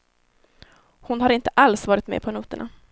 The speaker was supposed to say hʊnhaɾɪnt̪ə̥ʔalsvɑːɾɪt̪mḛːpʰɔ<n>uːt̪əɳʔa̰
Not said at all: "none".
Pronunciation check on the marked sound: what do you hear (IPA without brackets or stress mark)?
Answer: n